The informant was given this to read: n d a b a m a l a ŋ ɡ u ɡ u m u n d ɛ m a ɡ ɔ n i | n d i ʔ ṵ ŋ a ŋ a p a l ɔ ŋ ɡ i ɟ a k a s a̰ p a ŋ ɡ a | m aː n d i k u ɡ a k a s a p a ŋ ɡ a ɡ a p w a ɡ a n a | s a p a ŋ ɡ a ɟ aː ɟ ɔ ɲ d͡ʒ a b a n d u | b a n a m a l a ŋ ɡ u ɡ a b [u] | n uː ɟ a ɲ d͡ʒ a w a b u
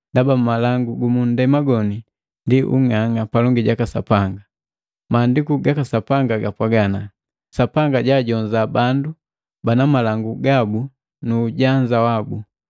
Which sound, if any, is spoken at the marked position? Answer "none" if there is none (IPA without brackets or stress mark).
u